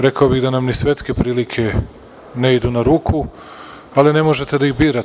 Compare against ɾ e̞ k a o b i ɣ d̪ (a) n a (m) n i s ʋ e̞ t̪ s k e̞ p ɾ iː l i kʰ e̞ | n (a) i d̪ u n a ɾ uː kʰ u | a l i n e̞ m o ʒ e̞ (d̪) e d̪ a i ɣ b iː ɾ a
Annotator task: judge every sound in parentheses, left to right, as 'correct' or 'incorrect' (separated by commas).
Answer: correct, correct, incorrect, incorrect